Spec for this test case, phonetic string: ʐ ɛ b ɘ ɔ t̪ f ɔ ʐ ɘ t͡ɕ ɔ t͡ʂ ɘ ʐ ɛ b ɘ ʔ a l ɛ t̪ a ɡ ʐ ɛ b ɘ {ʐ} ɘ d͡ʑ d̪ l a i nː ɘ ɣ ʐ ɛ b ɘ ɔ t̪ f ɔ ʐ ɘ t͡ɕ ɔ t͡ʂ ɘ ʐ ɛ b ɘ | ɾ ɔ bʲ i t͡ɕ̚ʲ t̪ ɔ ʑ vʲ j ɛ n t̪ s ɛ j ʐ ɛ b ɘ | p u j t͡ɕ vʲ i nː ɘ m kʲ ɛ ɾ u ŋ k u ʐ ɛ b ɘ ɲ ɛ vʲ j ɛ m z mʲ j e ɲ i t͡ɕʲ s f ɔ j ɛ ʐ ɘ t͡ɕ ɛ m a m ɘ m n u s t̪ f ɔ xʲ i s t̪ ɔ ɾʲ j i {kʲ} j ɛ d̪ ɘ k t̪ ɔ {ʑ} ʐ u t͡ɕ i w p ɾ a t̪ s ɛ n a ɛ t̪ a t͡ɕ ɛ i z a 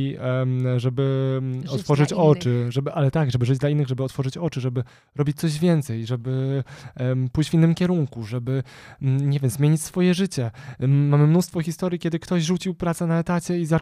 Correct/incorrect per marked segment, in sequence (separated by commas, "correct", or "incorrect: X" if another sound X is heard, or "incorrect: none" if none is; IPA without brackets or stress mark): correct, correct, correct